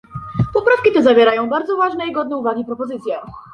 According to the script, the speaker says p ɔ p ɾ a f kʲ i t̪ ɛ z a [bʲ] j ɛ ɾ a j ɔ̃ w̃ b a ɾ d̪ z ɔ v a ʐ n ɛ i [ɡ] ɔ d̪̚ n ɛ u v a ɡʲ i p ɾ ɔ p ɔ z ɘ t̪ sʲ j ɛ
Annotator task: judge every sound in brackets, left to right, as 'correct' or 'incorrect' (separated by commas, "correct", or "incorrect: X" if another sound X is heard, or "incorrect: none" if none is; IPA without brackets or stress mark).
incorrect: vʲ, correct